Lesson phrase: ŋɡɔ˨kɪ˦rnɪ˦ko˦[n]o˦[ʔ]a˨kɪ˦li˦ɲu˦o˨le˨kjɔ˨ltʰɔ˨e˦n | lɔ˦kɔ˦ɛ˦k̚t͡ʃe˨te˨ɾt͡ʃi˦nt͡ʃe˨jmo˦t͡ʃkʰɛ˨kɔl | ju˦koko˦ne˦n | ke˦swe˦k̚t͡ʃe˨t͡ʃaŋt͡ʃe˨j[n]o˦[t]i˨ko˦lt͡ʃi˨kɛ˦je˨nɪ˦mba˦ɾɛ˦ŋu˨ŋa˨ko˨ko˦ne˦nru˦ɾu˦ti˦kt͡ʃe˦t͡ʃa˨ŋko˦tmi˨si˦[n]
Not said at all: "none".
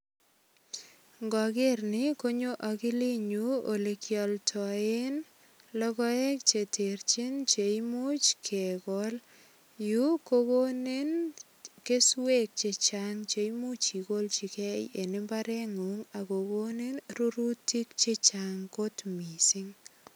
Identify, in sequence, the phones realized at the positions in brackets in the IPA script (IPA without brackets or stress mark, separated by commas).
ɲ, ʔ, m, t͡ʃ, ŋ